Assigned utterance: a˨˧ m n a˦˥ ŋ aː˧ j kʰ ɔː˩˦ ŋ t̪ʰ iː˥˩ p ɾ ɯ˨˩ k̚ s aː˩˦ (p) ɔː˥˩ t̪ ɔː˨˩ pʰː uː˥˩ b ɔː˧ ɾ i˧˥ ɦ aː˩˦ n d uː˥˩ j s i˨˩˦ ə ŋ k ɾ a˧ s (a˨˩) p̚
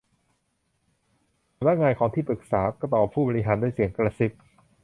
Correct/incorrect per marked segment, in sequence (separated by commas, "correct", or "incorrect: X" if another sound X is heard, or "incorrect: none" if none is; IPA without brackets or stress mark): incorrect: k, incorrect: i˨˩